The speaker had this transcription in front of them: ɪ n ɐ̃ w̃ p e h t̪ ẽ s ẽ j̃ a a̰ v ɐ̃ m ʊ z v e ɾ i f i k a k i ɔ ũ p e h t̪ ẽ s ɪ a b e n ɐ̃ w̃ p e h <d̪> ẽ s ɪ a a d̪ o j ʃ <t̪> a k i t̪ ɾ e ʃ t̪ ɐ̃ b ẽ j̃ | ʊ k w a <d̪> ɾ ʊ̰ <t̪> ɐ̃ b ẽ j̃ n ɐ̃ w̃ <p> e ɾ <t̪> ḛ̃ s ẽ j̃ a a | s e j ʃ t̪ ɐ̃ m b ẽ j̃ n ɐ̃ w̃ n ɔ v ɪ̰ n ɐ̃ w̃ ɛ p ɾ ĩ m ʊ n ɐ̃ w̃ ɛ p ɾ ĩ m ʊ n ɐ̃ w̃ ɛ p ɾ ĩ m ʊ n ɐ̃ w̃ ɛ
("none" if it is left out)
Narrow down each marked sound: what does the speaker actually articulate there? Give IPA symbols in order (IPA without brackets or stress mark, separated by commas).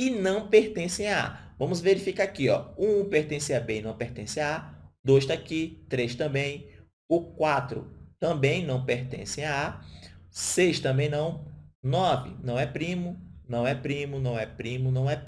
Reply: t̪, t̪, t̪, t̪, p, t̪